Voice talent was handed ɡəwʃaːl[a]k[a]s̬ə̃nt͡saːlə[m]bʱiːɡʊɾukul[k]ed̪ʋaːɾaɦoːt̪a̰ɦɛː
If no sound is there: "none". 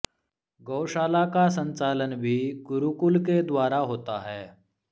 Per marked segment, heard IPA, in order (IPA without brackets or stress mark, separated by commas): a, a, n, k